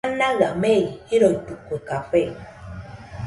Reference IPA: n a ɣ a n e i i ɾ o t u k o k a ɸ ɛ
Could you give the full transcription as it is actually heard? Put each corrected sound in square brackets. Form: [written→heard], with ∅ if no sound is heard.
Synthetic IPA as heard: n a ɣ a [n→m] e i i ɾ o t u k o k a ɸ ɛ